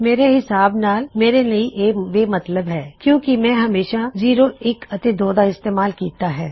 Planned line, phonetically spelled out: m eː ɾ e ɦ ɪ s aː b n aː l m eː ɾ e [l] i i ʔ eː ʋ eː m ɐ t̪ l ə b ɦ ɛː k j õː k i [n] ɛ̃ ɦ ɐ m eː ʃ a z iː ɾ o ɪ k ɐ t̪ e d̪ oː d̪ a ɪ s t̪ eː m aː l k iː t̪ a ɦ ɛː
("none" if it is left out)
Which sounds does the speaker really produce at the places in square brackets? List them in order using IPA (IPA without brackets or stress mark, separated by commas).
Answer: l, m